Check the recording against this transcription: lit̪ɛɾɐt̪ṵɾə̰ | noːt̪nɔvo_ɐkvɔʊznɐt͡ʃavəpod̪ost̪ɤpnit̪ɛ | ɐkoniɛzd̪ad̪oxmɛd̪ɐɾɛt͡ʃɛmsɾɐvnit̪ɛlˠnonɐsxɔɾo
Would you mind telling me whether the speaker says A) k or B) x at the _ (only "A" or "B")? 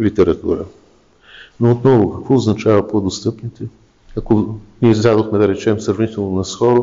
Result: A